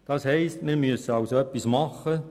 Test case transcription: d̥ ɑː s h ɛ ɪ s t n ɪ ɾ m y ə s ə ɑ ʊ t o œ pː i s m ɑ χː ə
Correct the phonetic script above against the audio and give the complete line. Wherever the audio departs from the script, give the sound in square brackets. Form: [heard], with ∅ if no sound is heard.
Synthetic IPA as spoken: d̥ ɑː s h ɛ ɪ s t [m] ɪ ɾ m y ə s ə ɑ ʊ [s] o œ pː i s m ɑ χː ə